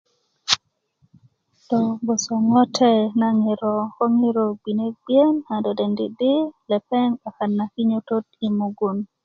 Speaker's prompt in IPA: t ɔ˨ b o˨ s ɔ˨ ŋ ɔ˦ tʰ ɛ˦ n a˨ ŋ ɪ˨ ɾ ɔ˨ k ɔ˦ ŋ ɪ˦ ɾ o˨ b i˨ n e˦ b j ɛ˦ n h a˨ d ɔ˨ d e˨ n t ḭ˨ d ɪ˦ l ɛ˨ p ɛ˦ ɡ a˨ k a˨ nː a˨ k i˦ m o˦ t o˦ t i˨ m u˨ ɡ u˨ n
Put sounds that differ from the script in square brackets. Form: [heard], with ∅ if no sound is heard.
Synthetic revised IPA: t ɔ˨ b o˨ s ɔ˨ ŋ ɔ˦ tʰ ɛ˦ n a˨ ŋ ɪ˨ ɾ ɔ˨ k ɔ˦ ŋ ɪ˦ ɾ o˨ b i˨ n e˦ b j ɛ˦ n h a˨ d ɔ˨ d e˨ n [d] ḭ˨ d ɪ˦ l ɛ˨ p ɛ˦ [ŋ] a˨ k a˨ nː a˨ k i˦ [ɲ] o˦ t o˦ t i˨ m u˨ ɡ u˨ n